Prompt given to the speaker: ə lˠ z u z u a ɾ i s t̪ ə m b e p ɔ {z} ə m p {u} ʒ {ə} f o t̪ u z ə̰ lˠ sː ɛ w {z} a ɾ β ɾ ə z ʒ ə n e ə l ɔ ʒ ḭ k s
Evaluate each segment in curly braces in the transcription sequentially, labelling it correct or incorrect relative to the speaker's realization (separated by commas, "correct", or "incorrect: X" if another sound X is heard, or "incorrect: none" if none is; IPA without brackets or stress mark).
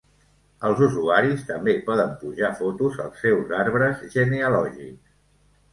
incorrect: ð, correct, incorrect: a, correct